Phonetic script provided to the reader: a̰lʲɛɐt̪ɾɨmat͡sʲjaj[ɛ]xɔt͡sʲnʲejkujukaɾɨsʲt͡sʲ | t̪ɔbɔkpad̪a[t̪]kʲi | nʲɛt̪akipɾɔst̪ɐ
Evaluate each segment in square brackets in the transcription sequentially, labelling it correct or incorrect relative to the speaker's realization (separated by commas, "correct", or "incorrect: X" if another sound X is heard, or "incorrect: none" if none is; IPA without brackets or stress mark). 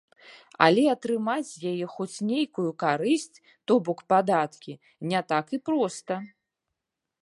correct, correct